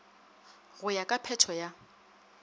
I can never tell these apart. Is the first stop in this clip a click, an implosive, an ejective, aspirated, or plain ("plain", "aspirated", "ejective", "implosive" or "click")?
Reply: ejective